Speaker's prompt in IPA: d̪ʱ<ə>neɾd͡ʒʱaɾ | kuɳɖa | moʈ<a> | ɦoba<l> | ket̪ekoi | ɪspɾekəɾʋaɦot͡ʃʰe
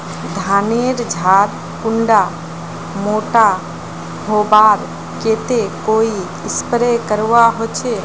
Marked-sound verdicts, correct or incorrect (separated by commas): incorrect, correct, incorrect